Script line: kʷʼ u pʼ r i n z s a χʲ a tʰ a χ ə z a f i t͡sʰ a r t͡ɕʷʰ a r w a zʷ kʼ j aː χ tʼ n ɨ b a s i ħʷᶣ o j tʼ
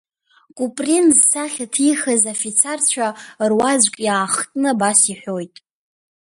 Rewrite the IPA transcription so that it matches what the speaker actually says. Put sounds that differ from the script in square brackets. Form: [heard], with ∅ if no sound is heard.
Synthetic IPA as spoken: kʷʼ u pʼ r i n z s a χʲ a tʰ [i] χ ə z a f i t͡sʰ a r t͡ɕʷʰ a r w a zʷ kʼ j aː χ tʼ n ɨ b a s i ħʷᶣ o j tʼ